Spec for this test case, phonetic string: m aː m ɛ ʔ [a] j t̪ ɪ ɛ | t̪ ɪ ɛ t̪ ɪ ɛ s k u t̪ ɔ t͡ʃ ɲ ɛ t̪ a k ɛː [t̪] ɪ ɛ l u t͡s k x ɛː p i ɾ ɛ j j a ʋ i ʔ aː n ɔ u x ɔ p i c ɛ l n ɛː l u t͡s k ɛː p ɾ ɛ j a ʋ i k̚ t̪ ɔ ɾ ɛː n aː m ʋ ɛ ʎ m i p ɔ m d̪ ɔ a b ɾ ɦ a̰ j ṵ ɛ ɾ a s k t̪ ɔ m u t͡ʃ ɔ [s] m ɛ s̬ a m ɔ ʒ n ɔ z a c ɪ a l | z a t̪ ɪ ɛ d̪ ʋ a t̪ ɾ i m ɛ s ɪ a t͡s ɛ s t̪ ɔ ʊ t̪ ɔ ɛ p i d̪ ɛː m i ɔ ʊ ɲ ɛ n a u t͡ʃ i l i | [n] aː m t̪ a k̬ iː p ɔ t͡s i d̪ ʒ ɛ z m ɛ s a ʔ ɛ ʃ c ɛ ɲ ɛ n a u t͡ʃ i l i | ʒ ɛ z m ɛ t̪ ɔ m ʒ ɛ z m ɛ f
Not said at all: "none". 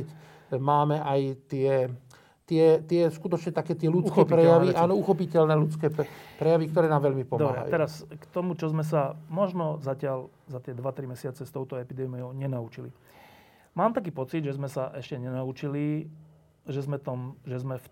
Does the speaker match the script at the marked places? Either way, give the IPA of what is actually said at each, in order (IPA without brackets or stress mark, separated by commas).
a, t̪, z, m